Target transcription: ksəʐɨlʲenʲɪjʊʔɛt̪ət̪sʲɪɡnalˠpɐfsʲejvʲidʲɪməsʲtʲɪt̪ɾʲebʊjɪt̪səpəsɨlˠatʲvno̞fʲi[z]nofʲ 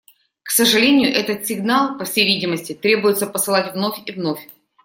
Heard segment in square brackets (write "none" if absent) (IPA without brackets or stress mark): v